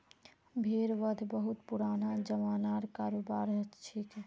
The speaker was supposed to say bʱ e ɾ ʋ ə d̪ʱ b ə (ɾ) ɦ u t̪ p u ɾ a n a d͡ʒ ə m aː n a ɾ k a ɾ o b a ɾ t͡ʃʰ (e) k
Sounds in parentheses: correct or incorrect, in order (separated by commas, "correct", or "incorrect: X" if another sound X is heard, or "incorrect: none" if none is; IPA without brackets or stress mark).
incorrect: none, incorrect: i